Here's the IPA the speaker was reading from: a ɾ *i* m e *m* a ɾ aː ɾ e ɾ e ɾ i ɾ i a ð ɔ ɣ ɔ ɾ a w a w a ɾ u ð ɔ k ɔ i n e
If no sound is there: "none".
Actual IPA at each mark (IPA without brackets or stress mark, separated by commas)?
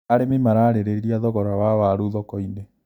e, m